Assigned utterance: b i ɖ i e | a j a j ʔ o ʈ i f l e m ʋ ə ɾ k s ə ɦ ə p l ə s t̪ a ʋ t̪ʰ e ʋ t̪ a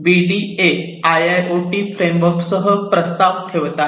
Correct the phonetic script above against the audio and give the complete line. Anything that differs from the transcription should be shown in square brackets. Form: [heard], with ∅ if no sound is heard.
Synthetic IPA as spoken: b i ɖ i e | a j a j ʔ o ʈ i f [ɾ] e m ʋ ə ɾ k s ə ɦ ə p [ɾ] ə s t̪ a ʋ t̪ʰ e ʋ t̪ a

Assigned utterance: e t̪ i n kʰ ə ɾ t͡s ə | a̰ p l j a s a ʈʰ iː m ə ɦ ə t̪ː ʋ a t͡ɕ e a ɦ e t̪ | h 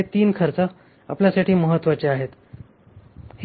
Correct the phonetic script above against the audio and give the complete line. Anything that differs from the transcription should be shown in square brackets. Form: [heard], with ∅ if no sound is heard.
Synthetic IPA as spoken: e t̪ [iː] n kʰ ə ɾ t͡s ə | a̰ p l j a s a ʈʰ iː m ə ɦ ə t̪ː ʋ a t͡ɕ e a ɦ e t̪ | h

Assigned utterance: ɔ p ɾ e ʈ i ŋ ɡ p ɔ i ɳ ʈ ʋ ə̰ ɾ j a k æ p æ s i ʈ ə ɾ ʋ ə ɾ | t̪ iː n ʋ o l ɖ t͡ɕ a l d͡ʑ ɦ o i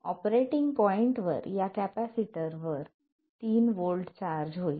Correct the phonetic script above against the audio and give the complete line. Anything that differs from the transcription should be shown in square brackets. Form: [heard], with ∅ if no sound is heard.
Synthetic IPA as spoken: ɔ p ɾ e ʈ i ŋ ɡ p ɔ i ɳ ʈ ʋ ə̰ ɾ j a k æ p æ s i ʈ ə ɾ ʋ ə ɾ | t̪ iː n ʋ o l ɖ t͡ɕ a [ɾ] d͡ʑ ɦ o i

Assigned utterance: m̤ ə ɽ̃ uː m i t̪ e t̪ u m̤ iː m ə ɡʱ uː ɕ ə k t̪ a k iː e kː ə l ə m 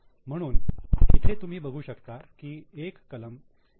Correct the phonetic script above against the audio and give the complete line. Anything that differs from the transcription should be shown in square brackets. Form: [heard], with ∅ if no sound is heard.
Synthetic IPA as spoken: m̤ ə ɽ̃ uː [n] i [t̪ʰ] e t̪ u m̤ iː [b] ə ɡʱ uː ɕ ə k t̪ a k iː e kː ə l ə m

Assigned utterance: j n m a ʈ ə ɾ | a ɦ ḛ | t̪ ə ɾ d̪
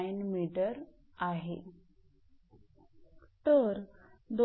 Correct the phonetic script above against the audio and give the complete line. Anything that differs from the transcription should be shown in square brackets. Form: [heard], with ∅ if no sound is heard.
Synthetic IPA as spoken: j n m [i] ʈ ə ɾ | a ɦ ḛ | t̪ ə ɾ d̪

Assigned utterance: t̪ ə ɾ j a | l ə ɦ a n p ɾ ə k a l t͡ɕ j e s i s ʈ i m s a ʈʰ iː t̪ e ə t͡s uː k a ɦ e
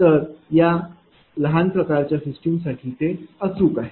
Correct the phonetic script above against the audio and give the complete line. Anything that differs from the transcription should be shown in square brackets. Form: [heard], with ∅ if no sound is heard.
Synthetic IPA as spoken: t̪ ə ɾ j a | l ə ɦ a n p ɾ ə k a [ɾ] t͡ɕ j [a] s i s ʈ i m s a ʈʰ iː t̪ e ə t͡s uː k a ɦ e

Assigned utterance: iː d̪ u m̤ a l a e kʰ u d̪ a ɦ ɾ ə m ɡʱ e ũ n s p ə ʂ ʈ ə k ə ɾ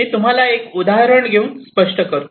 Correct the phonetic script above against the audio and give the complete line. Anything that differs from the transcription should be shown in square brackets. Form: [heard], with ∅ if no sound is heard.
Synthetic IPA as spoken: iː [t̪] u m̤ a l a e [k] u d̪ a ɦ ɾ ə [ɳ] ɡʱ e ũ n s p ə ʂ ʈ ə k ə ɾ

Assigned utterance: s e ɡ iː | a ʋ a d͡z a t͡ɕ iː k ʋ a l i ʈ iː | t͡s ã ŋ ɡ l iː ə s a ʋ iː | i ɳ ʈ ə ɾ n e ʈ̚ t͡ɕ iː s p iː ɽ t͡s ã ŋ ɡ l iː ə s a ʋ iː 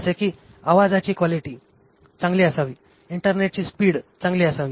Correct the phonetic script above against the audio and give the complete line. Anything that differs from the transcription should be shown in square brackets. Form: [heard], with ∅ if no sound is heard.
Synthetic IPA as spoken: s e [k] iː | a ʋ a d͡z a t͡ɕ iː k ʋ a l i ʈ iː | t͡s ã ŋ ɡ l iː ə s a ʋ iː | i ɳ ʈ ə ɾ n e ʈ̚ t͡ɕ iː s p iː ɽ t͡s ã ŋ ɡ l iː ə s a ʋ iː

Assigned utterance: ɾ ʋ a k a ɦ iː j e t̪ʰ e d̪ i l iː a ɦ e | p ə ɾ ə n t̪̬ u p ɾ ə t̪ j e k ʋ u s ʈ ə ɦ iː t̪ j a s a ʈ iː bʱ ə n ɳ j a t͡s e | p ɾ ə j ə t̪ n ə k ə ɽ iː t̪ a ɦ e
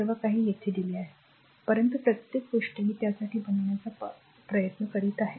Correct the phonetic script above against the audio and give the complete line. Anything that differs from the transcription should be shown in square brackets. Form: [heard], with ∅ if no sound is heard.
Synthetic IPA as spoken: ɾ ʋ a k a ɦ iː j e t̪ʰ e d̪ i l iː a ɦ e | p ə ɾ ə n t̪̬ u p ɾ ə t̪ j e k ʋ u [ʂ] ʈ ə ɦ iː t̪ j a s a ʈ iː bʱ ə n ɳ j a t͡s [a] | p ɾ ə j ə t̪ n ə k ə ɽ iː t̪ a ɦ e

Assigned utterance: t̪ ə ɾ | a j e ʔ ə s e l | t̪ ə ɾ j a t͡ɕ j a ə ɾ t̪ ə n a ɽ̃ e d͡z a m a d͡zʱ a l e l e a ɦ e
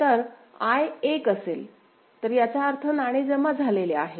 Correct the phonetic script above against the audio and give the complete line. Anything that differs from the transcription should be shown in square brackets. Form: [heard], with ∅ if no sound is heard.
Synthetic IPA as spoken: t̪ ə ɾ | a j e [k] ə s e l | t̪ ə ɾ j a t͡ɕ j a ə ɾ [t̪ʰ] ə n a ɽ̃ e d͡z [ə] m a d͡zʱ a l e l e a ɦ e

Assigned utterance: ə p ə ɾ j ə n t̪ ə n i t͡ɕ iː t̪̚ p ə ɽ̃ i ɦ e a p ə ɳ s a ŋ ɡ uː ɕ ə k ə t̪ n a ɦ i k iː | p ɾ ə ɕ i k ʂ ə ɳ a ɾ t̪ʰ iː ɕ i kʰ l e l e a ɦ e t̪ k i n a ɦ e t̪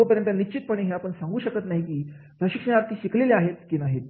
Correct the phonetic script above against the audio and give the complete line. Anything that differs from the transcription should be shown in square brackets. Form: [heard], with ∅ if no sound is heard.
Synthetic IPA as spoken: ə p ə ɾ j ə n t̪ ə n i t͡ɕ [i] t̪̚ p ə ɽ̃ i ɦ e a p ə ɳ s a ŋ ɡ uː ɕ ə k ə t̪ n a ɦ i k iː | p ɾ ə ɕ i k ʂ ə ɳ a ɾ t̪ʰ iː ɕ i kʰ l e l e a ɦ e t̪ k i n a ɦ e t̪

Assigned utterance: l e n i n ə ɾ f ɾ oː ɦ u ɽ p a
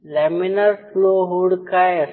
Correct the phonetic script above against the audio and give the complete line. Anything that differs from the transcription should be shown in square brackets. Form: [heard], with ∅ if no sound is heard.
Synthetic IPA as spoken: l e [m] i n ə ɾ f [l] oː ɦ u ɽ [k] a

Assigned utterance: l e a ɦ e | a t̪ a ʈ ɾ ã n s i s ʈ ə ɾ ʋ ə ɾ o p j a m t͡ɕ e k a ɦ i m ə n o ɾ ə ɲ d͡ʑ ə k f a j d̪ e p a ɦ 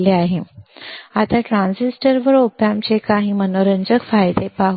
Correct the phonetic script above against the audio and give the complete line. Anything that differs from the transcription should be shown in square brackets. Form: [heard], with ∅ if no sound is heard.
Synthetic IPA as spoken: l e a ɦ e | a t̪ a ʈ ɾ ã n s i s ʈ ə ɾ ʋ ə ɾ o p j a m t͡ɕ e k a ɦ i m ə n o ɾ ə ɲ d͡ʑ ə k f a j d̪ e p a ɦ

